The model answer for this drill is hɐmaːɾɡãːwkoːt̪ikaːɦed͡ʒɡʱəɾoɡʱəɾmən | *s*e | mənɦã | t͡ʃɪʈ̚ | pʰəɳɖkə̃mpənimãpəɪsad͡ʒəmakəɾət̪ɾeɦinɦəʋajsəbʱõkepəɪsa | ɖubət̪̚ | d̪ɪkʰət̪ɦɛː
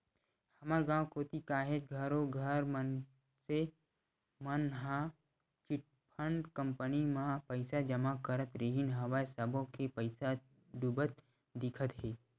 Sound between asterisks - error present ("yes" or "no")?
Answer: no